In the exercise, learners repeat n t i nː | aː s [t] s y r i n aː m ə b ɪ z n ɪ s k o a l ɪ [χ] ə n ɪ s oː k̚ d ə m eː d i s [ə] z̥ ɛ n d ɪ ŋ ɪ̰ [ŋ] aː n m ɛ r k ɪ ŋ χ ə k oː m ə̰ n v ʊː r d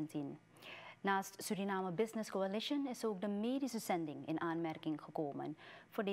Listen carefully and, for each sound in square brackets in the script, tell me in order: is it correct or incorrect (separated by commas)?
correct, incorrect, correct, incorrect